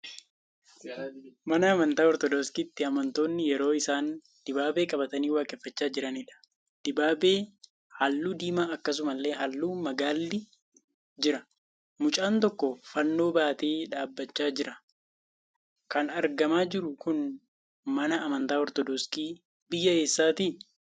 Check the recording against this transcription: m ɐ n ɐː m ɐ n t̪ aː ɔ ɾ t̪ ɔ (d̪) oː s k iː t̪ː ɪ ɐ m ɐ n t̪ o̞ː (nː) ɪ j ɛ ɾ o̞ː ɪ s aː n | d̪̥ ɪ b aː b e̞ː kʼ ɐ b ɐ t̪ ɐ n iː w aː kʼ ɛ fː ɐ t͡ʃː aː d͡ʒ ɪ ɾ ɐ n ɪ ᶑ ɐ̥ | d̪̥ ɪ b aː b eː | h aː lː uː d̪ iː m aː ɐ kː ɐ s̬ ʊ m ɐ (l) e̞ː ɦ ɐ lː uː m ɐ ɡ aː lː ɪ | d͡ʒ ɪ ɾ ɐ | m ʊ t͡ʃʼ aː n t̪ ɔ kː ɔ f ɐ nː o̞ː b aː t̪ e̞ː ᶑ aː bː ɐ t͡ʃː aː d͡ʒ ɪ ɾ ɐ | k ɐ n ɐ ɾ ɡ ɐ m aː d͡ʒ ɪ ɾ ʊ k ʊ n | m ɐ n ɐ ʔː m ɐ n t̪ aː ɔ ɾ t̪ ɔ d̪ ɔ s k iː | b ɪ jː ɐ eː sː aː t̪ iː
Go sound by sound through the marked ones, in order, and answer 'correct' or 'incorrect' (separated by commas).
correct, correct, incorrect